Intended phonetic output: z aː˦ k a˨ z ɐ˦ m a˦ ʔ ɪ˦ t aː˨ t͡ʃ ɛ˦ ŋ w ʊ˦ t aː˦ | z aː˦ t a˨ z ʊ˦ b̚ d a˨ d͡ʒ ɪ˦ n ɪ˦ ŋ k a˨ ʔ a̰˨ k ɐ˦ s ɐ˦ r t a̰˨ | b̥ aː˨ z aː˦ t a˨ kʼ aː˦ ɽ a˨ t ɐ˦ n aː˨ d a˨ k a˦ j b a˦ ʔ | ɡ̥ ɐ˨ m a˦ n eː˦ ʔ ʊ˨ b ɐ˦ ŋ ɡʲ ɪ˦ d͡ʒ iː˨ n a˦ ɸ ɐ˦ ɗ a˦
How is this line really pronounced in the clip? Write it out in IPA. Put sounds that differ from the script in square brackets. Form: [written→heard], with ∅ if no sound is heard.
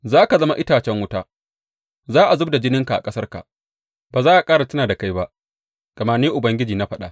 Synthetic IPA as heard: z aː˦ k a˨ z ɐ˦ m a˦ ʔ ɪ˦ t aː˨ t͡ʃ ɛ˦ ŋ w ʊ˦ t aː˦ | z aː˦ [t→ʔ] a˨ z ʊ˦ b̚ d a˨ d͡ʒ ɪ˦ n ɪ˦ ŋ k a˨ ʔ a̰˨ [k→kʼ] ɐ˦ s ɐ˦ r [t→k] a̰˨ | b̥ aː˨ z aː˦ [t→ʔ] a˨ kʼ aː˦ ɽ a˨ t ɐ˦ n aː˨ d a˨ k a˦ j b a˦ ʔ | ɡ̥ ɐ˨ m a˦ n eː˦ ʔ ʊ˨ b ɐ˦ ŋ ɡʲ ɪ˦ d͡ʒ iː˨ n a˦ ɸ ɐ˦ ɗ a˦